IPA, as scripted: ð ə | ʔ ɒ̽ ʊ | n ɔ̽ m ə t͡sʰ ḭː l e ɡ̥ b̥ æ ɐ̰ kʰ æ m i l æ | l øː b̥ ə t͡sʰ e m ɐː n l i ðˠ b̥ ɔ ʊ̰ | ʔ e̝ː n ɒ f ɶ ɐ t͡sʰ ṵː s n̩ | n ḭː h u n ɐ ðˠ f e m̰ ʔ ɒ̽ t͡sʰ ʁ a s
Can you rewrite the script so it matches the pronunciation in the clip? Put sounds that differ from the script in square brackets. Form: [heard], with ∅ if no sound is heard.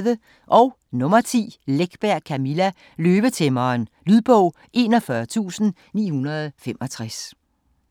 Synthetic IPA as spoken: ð ə | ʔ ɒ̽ ʊ | n ɔ̽ m [ɐ] t͡sʰ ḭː l e ɡ̥ b̥ æ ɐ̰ kʰ æ m i l æ | l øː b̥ ə t͡sʰ e m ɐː n l [y] ðˠ b̥ ɔ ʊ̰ | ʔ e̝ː n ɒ f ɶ ɐ t͡sʰ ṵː s n̩ | n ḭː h u n ɐ ðˠ f e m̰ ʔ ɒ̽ t͡sʰ ʁ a s